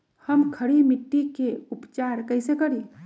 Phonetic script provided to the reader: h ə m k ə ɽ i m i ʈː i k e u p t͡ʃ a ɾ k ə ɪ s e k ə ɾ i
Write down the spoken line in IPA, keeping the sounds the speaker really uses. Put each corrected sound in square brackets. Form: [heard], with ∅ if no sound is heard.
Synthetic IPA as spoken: h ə m [kʰ] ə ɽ i m i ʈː i k e u p t͡ʃ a ɾ k ə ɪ s e k ə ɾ i